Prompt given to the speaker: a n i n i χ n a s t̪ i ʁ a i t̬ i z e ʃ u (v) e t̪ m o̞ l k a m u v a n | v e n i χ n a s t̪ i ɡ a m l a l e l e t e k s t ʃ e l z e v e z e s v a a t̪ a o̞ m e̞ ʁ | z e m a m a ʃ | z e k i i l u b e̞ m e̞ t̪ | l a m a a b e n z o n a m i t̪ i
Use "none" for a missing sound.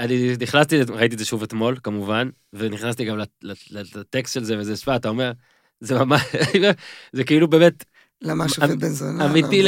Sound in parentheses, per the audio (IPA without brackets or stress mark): v